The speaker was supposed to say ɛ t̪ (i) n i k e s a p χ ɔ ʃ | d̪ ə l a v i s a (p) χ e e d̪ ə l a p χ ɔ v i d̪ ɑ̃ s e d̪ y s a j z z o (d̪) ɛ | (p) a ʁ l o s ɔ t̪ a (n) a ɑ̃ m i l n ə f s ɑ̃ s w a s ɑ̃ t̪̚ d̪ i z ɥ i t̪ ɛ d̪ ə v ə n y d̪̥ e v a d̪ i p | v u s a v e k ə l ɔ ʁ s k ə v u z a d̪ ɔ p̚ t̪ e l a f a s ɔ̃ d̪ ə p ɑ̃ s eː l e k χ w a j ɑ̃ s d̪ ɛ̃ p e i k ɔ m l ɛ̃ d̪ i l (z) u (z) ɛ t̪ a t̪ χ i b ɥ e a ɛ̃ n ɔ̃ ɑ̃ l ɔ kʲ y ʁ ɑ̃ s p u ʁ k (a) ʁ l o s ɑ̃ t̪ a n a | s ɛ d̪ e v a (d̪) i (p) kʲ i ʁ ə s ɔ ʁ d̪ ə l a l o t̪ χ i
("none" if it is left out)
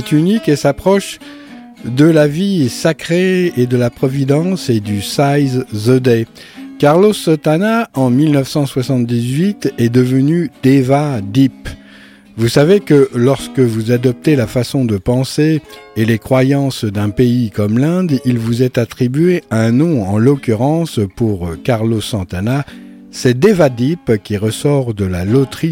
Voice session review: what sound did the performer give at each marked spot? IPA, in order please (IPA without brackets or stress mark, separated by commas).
y, k, d̪, k, n, v, z, a, d̪, p